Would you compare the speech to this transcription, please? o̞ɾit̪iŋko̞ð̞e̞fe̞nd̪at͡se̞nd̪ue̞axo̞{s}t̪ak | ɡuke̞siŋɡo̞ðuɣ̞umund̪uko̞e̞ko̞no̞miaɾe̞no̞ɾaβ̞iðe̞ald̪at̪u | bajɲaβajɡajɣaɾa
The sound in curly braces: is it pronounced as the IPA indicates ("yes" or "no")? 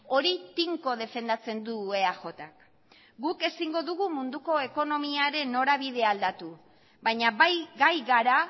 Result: no